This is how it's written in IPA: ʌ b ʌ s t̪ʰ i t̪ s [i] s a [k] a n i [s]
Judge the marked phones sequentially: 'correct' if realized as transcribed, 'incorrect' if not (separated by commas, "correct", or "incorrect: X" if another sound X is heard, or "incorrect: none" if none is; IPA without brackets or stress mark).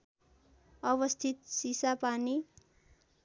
correct, incorrect: p, incorrect: none